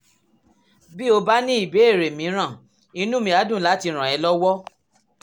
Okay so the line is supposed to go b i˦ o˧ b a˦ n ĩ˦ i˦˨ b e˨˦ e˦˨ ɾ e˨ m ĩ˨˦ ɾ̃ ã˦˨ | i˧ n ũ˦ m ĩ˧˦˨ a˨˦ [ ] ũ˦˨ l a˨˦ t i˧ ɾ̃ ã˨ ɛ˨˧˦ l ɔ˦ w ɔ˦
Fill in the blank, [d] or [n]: d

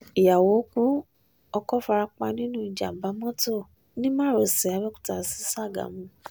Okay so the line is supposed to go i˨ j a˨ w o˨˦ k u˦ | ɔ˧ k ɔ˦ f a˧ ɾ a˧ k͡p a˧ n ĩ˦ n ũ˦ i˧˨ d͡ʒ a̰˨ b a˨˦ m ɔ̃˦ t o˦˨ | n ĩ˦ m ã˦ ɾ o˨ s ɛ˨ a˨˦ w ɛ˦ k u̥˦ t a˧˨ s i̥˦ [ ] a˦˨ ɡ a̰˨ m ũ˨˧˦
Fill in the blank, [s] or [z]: s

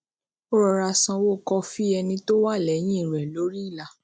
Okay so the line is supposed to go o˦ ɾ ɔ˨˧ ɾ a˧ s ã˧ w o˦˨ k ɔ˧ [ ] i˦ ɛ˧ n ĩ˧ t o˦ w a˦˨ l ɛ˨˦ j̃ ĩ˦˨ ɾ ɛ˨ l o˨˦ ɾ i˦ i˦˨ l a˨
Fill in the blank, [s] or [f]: f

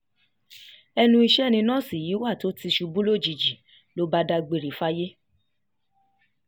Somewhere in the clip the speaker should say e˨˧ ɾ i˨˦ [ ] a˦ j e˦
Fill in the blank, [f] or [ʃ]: f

